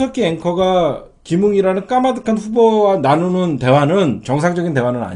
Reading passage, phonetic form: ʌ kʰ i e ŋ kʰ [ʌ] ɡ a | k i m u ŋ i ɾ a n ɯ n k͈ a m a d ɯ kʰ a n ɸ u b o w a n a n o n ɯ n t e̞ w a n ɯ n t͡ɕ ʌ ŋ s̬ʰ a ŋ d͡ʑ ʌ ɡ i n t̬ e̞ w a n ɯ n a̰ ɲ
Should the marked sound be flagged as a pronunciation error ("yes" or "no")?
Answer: no